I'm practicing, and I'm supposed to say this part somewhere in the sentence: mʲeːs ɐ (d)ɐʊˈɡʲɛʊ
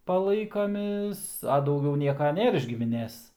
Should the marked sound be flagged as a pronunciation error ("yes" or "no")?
no